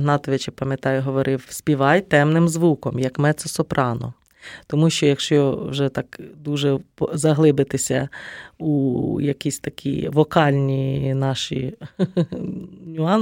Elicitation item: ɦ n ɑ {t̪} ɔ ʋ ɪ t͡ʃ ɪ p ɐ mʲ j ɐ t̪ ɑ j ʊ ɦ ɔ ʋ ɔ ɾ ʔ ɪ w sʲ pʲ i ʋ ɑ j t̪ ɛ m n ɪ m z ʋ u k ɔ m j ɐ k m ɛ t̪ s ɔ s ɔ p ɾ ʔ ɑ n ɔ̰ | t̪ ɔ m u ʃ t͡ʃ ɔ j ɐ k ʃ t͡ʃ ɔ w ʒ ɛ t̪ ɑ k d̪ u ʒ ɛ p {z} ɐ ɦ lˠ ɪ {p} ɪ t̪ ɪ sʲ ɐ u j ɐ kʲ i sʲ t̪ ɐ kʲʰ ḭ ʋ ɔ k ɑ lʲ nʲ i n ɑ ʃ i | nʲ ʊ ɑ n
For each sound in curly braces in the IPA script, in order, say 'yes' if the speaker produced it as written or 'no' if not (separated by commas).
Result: yes, yes, no